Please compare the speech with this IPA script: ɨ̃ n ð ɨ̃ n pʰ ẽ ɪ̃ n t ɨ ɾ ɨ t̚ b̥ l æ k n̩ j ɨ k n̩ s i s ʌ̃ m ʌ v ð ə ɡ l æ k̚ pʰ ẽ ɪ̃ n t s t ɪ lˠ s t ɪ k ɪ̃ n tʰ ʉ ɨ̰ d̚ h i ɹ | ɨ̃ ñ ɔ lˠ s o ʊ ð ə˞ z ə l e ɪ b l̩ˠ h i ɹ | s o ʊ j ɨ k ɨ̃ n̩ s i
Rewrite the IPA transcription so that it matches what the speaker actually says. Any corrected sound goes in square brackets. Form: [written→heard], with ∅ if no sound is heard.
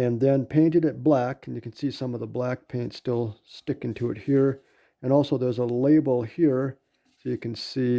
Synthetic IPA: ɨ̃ n ð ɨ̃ n pʰ ẽ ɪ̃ n t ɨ ɾ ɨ t̚ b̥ l æ k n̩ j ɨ k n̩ s i s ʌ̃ m ʌ v ð ə [ɡ→b] l æ k̚ pʰ ẽ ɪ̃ n t s t ɪ lˠ s t ɪ k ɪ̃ n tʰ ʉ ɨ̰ [d̚→t̚] h i ɹ | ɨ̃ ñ ɔ lˠ s o ʊ ð ə˞ z ə l e ɪ b l̩ˠ h i ɹ | s o ʊ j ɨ k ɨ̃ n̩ s i